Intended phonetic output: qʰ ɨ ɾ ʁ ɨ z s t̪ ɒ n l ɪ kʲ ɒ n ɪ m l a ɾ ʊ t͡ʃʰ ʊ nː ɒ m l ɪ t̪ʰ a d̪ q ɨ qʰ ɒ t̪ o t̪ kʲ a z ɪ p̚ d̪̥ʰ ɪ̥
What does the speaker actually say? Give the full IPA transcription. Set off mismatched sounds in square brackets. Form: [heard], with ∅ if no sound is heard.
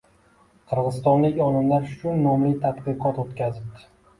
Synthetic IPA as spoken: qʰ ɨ ɾ ʁ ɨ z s t̪ ɒ n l ɪ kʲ ɒ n ɪ m l a ɾ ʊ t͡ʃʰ ʊ nː ɒ m l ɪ t̪ʰ a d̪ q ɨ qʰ ɒ t̪ o t̪ kʲ a z ɪ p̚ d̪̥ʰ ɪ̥